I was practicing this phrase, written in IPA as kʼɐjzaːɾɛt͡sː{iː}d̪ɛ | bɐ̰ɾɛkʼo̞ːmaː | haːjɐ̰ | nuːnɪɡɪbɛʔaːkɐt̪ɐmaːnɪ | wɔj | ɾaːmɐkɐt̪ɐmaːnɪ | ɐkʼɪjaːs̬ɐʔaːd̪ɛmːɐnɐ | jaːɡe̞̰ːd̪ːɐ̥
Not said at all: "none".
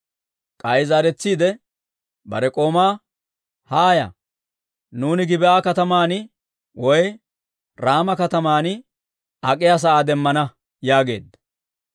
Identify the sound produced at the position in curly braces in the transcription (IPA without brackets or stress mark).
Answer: iː